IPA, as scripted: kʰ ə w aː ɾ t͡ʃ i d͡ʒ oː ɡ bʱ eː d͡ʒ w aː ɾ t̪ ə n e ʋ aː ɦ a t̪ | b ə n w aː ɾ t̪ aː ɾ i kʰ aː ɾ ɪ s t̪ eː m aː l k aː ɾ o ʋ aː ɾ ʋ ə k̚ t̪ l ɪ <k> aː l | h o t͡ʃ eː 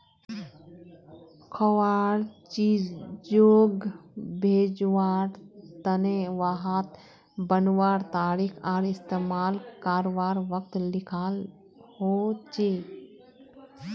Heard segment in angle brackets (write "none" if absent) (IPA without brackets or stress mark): kʰ